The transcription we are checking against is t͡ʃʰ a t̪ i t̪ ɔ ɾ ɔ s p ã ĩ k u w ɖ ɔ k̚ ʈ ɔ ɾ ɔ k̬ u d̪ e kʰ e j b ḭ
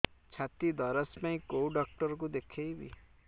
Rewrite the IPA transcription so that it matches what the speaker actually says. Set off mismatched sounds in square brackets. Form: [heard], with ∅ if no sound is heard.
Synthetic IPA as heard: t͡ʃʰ a t̪ i [d̪] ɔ ɾ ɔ s p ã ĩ k [o] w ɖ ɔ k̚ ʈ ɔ ɾ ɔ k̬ u d̪ e kʰ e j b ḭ